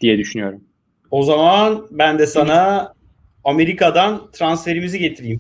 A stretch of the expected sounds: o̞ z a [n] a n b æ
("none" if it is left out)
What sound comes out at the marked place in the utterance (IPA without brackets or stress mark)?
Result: m